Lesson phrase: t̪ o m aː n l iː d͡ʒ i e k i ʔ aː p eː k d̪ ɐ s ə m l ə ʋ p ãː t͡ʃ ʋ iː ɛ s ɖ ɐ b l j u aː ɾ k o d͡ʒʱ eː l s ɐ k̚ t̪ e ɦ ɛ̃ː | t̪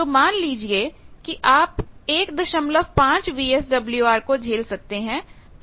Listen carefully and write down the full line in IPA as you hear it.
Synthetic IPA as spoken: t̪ o m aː n l iː d͡ʒ i e k i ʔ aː p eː k d̪ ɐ ʃ ə m l ə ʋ p ãː t͡ʃ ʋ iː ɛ s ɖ ɐ b l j u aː ɾ k o d͡ʒʱ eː l s ɐ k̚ t̪ e ɦ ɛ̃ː | t̪